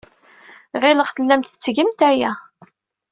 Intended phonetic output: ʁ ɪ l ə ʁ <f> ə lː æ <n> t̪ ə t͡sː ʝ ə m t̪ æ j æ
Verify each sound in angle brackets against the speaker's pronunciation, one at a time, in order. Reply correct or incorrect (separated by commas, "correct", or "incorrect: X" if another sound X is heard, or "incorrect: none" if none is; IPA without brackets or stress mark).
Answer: incorrect: θ, incorrect: m